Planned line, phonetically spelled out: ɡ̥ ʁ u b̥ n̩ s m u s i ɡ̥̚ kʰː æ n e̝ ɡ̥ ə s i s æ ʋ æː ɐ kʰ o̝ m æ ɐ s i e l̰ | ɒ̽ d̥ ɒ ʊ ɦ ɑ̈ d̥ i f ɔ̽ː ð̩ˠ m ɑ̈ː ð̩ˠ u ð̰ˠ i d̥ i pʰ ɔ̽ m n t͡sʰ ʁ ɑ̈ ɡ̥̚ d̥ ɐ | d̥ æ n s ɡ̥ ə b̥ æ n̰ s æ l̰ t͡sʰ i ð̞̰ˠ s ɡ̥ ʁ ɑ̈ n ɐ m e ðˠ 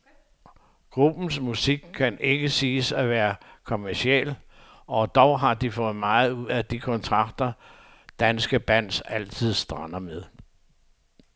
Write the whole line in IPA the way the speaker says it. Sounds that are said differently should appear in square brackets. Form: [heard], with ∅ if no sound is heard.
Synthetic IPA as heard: ɡ̥ ʁ u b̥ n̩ s m u s i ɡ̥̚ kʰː æ n e̝ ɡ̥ ə s [iː] s æ ʋ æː ɐ kʰ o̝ m æ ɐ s i e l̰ | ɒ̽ d̥ ɒ ʊ ɦ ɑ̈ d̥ i f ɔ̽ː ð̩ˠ m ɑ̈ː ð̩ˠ u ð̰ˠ [æ] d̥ i [kʰ] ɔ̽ [∅] n t͡sʰ ʁ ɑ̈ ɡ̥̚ d̥ ɐ | d̥ æ n s ɡ̥ ə b̥ æ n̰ s æ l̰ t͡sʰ i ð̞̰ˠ s [d̥] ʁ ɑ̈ n ɐ m e ðˠ